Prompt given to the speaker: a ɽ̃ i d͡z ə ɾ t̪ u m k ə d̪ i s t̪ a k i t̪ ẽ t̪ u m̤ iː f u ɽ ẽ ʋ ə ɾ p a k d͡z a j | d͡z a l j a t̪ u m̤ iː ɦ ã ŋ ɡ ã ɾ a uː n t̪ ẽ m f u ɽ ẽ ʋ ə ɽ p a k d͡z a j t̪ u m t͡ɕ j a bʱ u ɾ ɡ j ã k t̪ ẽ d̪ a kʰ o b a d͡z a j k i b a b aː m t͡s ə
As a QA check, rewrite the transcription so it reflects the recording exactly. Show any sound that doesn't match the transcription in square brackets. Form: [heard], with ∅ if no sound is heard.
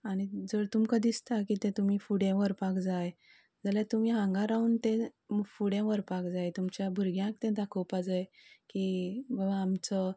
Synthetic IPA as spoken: a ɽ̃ i d͡z ə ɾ t̪ u m k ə d̪ i s t̪ a k i t̪ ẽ t̪ u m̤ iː f u ɽ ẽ ʋ ə ɾ p a k d͡z a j | d͡z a l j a t̪ u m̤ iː ɦ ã ŋ ɡ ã ɾ a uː n t̪ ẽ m f u ɽ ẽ ʋ ə [ɾ] p a k d͡z a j t̪ u m t͡ɕ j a bʱ u ɾ ɡ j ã k t̪ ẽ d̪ a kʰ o [p] a d͡z a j k i b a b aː m t͡s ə